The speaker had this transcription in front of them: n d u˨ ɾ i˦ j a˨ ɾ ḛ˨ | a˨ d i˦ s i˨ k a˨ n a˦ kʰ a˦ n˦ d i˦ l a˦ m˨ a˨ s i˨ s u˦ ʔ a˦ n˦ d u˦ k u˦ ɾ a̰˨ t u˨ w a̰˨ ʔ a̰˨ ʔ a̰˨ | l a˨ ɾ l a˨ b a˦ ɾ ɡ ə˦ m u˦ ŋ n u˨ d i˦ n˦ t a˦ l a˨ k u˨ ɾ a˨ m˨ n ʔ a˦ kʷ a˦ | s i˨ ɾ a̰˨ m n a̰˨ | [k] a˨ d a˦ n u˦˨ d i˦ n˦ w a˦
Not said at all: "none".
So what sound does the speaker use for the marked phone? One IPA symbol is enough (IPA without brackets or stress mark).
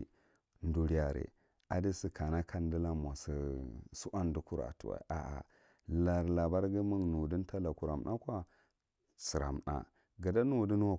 ɡ